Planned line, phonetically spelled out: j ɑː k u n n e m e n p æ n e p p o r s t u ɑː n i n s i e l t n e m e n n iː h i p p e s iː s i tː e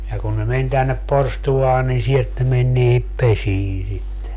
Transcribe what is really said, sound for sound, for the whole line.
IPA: j ɑ k u n n e m e n t æ nː e p p o r s t u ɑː n i n s i e l t n e m e n n iː h i p p e s iː s i tː e